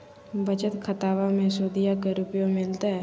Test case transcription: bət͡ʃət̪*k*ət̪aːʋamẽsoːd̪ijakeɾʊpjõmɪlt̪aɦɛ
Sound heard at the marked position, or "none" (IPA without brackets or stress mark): kʰ